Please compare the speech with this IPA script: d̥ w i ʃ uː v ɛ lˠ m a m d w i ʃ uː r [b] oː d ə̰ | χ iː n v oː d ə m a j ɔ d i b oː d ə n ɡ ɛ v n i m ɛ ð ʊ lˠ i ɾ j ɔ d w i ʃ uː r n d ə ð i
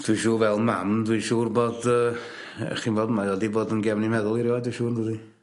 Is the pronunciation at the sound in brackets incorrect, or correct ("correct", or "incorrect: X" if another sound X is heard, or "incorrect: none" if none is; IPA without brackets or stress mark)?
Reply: correct